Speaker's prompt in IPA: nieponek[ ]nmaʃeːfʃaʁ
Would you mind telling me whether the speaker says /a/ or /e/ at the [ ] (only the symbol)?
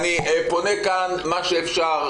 a